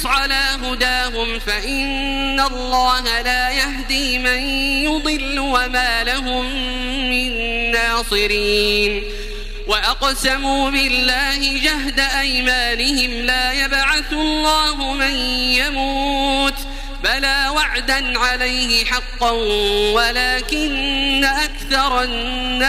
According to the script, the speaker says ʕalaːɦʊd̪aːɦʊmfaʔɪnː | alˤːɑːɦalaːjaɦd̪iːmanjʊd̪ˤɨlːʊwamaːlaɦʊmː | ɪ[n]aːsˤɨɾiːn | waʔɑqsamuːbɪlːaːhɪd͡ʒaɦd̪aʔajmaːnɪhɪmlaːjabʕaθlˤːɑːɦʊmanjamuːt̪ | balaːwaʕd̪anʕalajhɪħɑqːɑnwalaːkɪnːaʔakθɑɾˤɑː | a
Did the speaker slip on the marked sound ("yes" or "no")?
yes